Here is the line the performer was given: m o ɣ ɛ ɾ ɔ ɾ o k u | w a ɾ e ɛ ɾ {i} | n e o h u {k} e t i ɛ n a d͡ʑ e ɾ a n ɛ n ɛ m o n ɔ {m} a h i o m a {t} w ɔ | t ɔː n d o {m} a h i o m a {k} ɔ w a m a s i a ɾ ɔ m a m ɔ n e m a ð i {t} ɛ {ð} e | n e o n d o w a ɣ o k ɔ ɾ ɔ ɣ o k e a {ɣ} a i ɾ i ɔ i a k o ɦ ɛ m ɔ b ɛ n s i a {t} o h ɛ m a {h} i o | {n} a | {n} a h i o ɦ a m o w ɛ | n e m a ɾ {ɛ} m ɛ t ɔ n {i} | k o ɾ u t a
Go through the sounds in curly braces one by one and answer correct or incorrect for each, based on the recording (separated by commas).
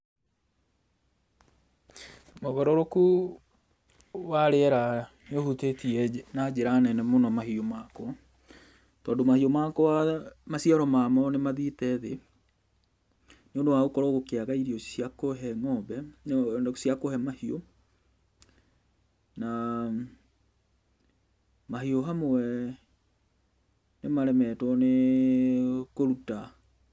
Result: incorrect, incorrect, correct, incorrect, correct, correct, correct, correct, correct, incorrect, correct, correct, incorrect, correct, incorrect